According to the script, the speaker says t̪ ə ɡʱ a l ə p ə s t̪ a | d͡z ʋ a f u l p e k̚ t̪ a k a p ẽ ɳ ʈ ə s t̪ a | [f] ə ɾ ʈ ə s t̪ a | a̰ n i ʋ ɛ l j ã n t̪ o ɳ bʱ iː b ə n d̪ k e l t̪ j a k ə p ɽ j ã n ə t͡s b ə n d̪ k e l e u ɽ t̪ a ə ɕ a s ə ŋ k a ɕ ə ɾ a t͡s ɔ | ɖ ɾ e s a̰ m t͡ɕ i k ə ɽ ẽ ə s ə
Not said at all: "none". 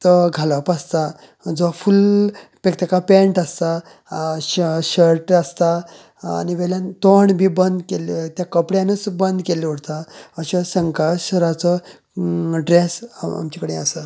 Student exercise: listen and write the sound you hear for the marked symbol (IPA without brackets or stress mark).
ɕ